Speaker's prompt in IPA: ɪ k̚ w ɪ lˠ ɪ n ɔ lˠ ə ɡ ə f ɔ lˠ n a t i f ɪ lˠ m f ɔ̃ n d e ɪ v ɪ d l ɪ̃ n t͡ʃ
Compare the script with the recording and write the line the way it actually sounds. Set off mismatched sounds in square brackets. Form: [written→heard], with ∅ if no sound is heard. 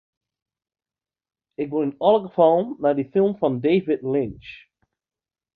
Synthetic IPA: ɪ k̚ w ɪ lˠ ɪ n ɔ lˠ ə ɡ ə f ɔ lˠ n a [t→d] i f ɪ lˠ m f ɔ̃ n d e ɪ v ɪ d l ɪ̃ n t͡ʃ